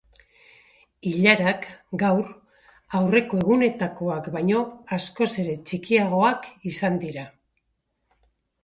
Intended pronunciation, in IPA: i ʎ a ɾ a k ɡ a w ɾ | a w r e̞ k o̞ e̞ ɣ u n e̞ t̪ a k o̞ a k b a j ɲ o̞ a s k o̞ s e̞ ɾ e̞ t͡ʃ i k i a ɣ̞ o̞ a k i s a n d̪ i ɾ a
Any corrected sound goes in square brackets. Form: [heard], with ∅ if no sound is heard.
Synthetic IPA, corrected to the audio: i ʎ a ɾ a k ɡ a w ɾ | a w r e̞ k o̞ e̞ ɣ u n e̞ t̪ a k o̞ a k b a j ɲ o̞ a s k o̞ s e̞ ɾ e̞ t͡ʃ i k i a ɣ̞ o̞ a k i s a n d̪ i ɾ a